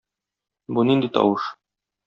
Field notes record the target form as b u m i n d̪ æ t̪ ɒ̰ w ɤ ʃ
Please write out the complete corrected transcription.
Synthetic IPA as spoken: b u n i n d̪ i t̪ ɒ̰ w ɤ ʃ